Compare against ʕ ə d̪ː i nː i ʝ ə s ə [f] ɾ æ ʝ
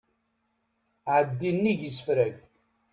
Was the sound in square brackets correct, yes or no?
yes